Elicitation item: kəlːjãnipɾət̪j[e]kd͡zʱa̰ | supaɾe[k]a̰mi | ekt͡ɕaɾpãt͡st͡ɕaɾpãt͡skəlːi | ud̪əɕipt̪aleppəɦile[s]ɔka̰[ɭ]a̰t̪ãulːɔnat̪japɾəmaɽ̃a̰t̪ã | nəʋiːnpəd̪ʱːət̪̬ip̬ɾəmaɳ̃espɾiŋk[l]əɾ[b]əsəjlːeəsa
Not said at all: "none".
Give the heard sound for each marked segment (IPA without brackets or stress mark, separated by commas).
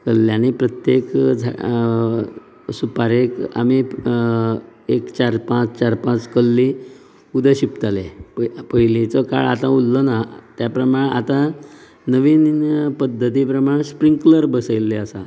e, k, t͡s, ɭ, l, b